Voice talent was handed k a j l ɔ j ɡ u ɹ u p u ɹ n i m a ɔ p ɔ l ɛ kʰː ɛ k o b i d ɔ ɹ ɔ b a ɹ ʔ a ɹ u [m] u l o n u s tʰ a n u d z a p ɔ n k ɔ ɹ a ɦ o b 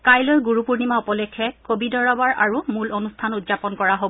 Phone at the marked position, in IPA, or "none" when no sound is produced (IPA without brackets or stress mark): m